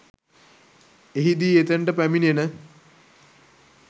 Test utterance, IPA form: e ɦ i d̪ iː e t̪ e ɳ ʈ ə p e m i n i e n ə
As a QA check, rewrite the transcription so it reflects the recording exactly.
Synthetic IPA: e ɦ i d̪ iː e t̪ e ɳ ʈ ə p æ m i n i e n ə